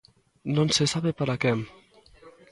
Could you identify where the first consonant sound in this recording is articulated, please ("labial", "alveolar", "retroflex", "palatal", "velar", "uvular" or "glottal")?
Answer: alveolar